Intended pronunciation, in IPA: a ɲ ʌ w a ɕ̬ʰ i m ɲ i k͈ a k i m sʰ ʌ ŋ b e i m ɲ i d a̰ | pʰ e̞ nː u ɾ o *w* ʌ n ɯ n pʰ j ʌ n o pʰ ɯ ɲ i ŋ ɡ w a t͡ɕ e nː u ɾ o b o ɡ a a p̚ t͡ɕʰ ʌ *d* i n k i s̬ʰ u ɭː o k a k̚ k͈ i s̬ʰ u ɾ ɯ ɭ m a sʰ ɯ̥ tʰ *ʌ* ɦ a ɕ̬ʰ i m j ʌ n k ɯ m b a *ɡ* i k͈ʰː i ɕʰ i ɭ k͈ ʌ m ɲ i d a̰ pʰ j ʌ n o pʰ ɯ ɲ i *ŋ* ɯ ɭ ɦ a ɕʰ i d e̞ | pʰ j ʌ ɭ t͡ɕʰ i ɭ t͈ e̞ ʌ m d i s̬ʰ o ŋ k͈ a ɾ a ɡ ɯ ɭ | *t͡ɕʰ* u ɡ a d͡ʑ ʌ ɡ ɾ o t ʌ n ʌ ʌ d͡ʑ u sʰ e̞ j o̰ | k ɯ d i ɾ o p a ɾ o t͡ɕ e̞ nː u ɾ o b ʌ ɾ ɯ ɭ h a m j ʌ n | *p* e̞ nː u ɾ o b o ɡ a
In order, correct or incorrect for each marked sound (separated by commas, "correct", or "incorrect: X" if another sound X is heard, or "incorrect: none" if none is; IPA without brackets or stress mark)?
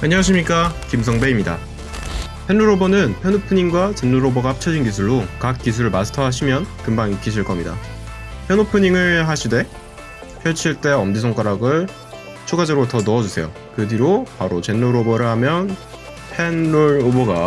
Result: incorrect: b, incorrect: d͡ʑ, correct, incorrect: ŋ, correct, correct, incorrect: pʰ